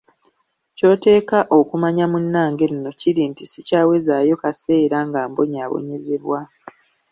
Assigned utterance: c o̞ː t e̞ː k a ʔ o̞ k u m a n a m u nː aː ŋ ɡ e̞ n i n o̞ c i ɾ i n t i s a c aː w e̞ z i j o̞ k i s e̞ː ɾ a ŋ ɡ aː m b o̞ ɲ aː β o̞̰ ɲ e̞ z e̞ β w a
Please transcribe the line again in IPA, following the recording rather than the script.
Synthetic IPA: c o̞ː t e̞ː k a ʔ o̞ k u m a ɲ a m u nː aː ŋ ɡ e̞ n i n o̞ c i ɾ i n t i s i c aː w e̞ z a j o̞ k a s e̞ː ɾ a ŋ ɡ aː m b o̞ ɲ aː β o̞̰ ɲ e̞ z e̞ β w a